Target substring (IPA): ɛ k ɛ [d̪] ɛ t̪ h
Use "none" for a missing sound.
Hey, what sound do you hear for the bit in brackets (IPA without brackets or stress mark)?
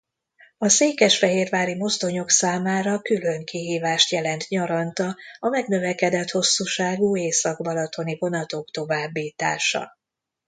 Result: d̪